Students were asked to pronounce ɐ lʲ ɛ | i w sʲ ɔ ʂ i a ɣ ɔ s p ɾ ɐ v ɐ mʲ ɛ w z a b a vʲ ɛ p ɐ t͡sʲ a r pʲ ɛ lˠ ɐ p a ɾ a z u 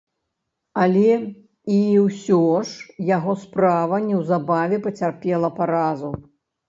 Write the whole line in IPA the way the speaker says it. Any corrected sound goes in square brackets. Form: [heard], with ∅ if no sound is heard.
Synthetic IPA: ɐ lʲ ɛ | i w sʲ ɔ ʂ [j] a ɣ ɔ s p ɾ [a] v ɐ [nʲ] ɛ w z a b a vʲ ɛ p ɐ t͡sʲ a r pʲ ɛ lˠ ɐ p a ɾ a z u